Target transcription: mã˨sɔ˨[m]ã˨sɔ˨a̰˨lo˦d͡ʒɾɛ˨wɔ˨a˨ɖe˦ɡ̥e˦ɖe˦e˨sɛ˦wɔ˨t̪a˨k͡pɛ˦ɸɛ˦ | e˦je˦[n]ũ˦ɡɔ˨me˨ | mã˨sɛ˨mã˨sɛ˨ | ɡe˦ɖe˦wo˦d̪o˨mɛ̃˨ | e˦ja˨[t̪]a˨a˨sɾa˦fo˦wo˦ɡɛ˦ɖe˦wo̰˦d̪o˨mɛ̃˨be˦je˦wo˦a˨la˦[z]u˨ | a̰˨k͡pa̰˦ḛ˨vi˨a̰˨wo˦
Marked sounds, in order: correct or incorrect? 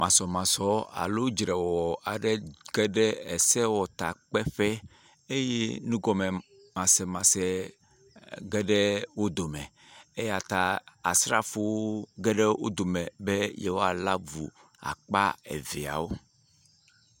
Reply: correct, correct, correct, incorrect

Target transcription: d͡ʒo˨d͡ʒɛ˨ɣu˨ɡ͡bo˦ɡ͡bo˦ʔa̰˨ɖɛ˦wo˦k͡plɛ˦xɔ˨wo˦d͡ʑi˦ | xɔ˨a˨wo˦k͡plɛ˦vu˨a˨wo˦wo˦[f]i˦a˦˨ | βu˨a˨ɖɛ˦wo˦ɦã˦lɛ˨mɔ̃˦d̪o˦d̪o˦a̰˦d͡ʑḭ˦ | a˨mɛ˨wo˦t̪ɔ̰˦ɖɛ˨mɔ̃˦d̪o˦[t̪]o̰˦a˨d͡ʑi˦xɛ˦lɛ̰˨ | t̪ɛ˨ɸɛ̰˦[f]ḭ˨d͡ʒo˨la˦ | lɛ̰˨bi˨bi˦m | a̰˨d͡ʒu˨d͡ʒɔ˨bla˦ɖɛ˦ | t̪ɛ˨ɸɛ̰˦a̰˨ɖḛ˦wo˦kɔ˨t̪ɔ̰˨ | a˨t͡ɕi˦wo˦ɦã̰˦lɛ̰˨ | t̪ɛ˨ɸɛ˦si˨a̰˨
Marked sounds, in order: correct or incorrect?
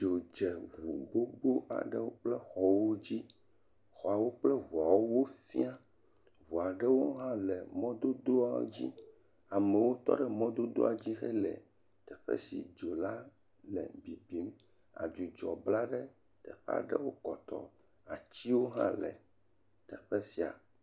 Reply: correct, incorrect, incorrect

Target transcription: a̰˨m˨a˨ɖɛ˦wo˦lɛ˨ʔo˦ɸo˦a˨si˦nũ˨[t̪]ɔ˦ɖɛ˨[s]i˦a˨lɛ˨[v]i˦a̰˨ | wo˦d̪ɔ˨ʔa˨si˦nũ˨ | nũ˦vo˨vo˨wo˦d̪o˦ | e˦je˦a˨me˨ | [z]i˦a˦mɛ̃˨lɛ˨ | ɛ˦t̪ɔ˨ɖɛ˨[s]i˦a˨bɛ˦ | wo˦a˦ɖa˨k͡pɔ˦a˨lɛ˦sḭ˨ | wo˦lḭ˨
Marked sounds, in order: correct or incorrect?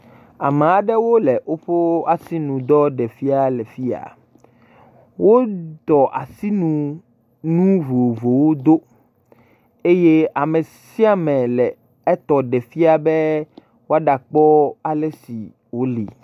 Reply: incorrect, incorrect, incorrect, incorrect, incorrect

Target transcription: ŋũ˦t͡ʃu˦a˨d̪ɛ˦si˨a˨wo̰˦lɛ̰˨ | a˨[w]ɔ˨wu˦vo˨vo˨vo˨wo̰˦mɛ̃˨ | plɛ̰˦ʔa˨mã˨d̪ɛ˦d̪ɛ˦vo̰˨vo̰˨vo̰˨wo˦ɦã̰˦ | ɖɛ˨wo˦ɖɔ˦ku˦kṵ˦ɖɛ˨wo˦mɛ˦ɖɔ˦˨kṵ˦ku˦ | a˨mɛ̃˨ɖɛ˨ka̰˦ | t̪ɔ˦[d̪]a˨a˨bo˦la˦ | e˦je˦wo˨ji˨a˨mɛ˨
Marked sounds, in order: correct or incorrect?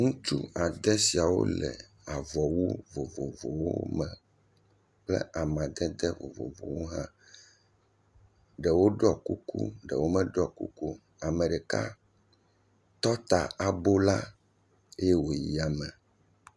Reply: incorrect, incorrect

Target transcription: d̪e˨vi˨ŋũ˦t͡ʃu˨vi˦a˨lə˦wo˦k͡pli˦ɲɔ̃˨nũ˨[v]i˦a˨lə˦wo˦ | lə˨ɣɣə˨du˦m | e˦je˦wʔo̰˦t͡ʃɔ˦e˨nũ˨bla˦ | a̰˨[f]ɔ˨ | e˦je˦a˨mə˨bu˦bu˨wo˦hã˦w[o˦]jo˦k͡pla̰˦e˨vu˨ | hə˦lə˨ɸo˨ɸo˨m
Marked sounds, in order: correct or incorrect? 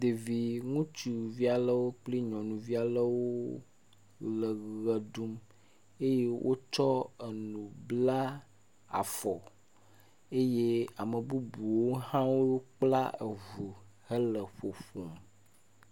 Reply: correct, correct, correct

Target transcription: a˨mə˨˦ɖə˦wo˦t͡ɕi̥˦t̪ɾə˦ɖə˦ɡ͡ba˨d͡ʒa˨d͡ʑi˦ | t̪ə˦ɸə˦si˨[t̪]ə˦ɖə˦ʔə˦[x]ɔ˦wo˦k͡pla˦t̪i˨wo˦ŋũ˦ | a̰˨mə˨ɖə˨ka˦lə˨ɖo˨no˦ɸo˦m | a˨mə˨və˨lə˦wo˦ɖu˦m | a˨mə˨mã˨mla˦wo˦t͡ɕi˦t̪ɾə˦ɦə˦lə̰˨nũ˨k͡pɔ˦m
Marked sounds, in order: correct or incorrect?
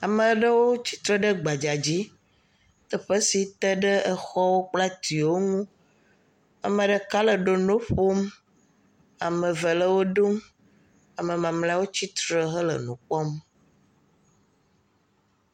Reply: correct, correct

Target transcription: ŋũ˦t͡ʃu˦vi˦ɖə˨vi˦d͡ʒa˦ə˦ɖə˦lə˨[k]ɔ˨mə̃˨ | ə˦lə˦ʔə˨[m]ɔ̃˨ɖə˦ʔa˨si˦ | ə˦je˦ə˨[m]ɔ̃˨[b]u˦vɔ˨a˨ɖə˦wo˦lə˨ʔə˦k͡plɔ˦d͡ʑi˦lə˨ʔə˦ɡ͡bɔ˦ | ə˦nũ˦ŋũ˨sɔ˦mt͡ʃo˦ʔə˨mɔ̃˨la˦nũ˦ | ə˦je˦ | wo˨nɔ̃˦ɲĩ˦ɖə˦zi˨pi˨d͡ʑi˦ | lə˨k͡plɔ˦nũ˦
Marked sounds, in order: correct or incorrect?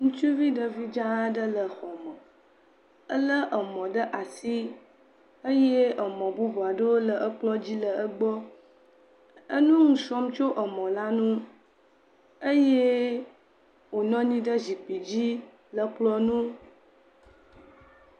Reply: incorrect, correct, correct, correct

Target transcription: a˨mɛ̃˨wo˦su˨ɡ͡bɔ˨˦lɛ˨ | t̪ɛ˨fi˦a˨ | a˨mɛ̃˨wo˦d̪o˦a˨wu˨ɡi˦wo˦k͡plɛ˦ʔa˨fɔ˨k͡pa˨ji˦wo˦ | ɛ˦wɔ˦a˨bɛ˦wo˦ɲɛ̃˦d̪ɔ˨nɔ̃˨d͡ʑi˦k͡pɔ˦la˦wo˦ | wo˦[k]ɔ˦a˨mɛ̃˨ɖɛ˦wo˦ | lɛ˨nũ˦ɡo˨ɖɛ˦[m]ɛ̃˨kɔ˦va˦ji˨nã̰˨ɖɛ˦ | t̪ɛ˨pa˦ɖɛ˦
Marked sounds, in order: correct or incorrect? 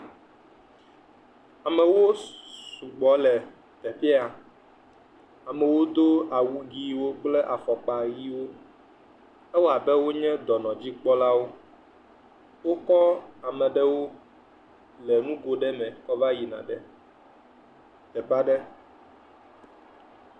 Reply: correct, correct

